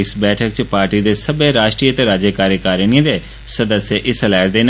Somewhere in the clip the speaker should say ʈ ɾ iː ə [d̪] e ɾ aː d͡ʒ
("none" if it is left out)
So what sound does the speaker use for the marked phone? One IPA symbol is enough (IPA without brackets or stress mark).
t̪